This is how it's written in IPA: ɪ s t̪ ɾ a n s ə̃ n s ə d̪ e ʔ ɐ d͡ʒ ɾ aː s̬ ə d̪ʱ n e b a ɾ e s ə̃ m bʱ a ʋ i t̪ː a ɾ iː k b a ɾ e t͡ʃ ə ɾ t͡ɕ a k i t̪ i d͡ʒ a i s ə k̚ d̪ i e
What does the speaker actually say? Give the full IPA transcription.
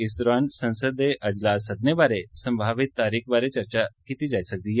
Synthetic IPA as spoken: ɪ s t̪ ɾ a n s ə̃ n s ə d̪ e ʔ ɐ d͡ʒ l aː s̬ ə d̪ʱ n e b a ɾ e s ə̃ m bʱ a ʋ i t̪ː a ɾ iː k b a ɾ e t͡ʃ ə ɾ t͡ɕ a k i t̪ i d͡ʒ a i s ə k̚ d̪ i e